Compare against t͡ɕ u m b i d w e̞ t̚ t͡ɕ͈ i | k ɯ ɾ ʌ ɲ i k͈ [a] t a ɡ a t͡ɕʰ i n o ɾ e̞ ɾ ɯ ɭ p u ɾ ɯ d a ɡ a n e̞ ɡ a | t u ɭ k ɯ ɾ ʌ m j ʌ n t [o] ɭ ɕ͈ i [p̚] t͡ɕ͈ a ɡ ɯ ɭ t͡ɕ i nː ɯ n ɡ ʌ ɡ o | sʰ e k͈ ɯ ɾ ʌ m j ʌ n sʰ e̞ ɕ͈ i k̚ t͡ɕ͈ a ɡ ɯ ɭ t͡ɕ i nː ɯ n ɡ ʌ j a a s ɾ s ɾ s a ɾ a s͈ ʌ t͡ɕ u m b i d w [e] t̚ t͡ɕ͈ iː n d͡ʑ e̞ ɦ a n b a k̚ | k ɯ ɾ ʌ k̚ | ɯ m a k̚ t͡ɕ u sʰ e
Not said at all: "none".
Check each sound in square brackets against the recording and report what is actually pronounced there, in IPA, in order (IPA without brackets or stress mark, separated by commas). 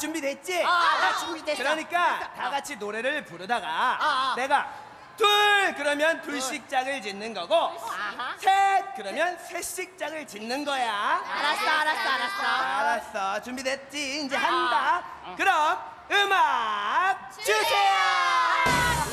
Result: a, u, k̚, e